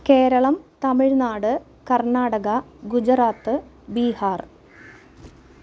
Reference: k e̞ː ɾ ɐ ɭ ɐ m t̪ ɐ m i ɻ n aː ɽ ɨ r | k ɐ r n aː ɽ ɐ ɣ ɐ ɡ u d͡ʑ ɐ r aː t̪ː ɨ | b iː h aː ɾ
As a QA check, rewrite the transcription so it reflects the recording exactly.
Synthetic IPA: k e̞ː ɾ ɐ ɭ ɐ m t̪ ɐ m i ɻ n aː ɽ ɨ | k ɐ r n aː ɽ ɐ ɣ ɐ ɡ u d͡ʑ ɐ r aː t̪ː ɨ | b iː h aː r